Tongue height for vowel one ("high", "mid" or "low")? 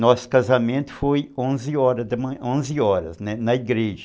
mid